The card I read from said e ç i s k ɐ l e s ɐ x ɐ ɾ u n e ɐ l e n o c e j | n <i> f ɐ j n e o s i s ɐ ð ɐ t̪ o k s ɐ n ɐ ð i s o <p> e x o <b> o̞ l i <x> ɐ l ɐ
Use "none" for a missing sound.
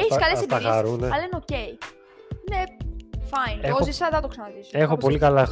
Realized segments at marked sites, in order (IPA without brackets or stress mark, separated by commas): e, none, p, k